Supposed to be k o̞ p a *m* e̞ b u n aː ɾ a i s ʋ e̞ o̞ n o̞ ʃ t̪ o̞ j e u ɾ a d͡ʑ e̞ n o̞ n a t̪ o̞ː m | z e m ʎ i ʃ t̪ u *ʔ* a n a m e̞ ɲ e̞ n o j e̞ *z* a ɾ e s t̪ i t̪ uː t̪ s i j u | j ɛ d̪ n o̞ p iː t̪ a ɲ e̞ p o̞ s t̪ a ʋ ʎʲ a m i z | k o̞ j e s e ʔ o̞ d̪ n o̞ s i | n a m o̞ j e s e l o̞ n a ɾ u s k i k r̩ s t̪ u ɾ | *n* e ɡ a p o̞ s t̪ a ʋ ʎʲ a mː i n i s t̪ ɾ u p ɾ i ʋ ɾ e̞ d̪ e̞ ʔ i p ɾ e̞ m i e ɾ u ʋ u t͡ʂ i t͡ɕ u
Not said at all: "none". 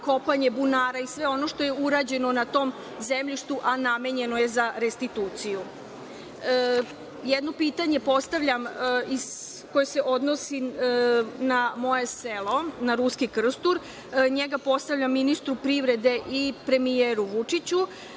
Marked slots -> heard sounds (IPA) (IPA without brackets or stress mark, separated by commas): ɲ, ʔ, z, ɲ